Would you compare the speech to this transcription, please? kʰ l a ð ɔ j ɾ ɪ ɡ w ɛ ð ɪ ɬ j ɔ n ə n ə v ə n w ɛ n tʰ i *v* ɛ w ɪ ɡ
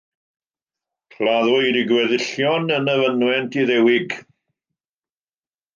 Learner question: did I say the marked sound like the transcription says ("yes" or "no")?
no